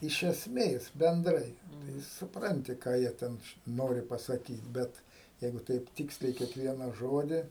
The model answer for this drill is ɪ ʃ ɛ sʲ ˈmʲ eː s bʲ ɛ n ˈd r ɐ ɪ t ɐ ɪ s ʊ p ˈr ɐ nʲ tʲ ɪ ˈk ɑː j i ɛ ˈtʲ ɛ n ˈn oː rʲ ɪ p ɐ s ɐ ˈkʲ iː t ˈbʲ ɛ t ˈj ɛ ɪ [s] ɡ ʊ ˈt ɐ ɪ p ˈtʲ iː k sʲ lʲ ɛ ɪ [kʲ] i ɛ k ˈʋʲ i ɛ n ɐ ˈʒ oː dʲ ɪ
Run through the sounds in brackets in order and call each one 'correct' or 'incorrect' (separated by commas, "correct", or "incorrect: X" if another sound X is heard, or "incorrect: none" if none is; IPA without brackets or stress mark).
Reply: incorrect: none, correct